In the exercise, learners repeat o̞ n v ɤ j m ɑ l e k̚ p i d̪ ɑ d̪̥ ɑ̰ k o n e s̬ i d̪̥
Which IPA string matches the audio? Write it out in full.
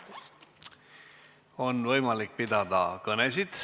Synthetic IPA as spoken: o̞ n v ɤ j m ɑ l i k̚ p i d̪ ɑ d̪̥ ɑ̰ k ɤ n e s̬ i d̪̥